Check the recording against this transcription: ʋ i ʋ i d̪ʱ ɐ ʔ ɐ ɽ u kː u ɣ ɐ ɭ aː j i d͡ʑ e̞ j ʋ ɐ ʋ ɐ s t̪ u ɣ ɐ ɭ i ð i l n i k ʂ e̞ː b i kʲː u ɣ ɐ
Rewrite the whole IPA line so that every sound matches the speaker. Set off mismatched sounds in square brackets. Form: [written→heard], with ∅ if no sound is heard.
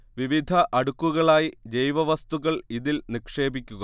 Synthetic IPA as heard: ʋ i ʋ i d̪ʱ ɐ ʔ ɐ ɽ u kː u ɣ ɐ ɭ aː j i d͡ʑ e̞ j ʋ ɐ ʋ ɐ s t̪ u ɣ ɐ ɭ i ð i l n i k ʂ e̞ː b i kʲː u ɣ ɐ